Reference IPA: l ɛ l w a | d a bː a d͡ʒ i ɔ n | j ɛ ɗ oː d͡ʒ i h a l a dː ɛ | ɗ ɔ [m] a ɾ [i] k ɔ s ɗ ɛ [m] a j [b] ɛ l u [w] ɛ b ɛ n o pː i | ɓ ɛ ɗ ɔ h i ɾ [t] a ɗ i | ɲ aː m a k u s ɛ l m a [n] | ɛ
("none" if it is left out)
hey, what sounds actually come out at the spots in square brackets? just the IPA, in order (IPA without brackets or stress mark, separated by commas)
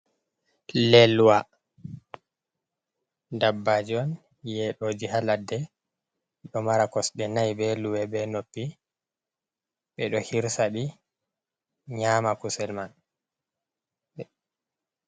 m, a, n, b, w, s, n